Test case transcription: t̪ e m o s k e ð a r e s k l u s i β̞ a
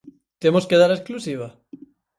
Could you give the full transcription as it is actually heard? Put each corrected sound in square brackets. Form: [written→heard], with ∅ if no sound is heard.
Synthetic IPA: t̪ e m o s k e ð a [r→ɾ] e s k l u s i β̞ a